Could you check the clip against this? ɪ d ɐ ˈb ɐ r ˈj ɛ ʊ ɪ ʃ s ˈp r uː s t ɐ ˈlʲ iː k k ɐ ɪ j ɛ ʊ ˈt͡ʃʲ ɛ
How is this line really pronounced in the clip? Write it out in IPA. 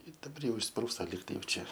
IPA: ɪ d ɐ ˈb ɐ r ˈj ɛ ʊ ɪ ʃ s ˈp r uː s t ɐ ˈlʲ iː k t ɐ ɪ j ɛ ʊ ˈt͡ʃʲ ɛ

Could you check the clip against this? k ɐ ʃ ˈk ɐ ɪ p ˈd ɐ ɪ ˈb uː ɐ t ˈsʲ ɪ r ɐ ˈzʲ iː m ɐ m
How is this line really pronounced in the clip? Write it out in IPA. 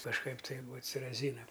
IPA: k ɐ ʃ ˈk ɐ ɪ p ˈt ɐ ɪ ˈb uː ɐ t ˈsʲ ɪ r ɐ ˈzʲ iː n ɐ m

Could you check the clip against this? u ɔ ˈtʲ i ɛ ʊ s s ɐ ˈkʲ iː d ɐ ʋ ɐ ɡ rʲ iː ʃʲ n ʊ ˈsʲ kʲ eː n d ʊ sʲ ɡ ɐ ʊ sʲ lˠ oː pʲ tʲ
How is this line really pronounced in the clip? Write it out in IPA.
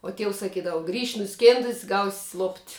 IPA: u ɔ ˈtʲ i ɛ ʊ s s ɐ ˈkʲ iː d ɐ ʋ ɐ ɡ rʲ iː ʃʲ n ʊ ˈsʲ kʲ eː n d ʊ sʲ ɡ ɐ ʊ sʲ lˠ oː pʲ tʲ

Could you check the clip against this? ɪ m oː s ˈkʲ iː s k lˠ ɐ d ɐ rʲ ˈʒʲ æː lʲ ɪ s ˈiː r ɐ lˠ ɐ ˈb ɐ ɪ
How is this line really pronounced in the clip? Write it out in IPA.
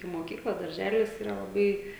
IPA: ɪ m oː ˈkʲ iː k lˠ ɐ d ɐ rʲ ˈʒʲ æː lʲ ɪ s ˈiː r ɐ lˠ ɐ ˈb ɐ ɪ

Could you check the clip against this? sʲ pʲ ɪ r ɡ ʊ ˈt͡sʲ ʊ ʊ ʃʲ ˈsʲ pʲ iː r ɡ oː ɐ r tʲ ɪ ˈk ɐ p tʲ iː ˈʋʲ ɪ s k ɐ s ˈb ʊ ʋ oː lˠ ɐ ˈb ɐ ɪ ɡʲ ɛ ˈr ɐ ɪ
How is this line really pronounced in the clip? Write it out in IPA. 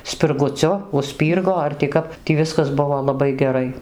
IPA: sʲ pʲ ɪ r ɡ ʊ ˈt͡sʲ ʊ ʊ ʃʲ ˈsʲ pʲ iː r ɡ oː ɐ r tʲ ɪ ˈk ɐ p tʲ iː ˈʋʲ ɪ s k ɐ s ˈb ʊ ʋ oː lˠ ɐ ˈb ɐ ɪ ɡʲ ɛ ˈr ɐ ɪ

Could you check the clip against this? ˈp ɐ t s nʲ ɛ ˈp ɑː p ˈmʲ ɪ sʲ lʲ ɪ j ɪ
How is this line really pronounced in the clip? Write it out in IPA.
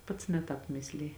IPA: ˈp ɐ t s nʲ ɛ ˈt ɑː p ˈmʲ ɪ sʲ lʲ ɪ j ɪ

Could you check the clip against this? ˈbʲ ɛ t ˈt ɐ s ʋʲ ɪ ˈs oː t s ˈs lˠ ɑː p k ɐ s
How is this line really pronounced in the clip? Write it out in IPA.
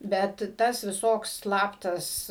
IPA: ˈbʲ ɛ t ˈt ɐ s ʋʲ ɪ ˈs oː k s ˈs lˠ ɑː p t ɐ s

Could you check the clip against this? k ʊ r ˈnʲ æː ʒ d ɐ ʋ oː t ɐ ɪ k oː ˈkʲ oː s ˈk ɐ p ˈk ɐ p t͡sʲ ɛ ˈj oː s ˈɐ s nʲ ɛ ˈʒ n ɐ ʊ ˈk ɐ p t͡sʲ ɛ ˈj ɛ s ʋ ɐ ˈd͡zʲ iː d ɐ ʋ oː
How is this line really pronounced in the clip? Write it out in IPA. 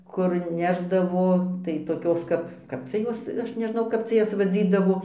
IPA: k ʊ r ˈnʲ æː ʒ d ɐ ʋ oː t ɐ ɪ t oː ˈkʲ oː s ˈk ɐ p ˈk ɐ p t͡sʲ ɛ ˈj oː s ˈɐ ʃ nʲ ɛ ˈʒ n ɐ ʊ ˈk ɐ p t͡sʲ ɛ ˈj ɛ s ʋ ɐ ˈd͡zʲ iː d ɐ ʋ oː

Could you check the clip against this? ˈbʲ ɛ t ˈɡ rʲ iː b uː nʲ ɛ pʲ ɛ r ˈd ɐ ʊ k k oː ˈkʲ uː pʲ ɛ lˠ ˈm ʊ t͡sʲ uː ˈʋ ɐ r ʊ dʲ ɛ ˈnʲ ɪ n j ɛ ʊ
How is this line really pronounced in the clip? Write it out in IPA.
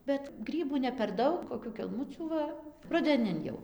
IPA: ˈbʲ ɛ t ˈɡ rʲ iː b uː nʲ ɛ pʲ ɛ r ˈd ɐ ʊ k k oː ˈkʲ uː kʲ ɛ lˠ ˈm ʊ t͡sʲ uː ˈʋ ɐ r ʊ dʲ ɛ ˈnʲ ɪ n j ɛ ʊ

